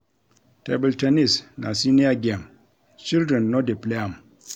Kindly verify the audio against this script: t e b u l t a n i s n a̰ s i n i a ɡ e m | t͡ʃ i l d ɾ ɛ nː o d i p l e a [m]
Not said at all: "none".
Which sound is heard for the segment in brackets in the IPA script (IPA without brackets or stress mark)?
m